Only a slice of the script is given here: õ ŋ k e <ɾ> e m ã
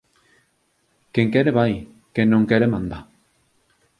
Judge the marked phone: correct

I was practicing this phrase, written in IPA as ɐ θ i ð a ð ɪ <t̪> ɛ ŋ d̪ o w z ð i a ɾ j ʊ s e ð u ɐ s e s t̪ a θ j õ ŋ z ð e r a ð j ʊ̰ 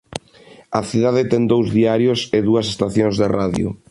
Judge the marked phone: correct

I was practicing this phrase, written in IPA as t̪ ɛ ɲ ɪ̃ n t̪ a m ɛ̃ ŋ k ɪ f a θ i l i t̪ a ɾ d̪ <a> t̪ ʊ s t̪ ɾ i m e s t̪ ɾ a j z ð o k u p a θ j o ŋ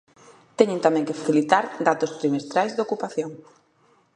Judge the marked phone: correct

